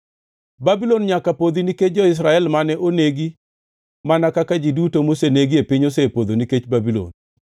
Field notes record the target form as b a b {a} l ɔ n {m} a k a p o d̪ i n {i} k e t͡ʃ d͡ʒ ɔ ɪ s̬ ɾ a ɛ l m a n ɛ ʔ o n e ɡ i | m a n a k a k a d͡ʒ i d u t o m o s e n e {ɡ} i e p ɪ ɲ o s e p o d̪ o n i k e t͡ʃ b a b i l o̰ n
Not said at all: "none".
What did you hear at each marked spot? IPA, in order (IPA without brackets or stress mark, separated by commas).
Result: i, ɲ, i, ɡ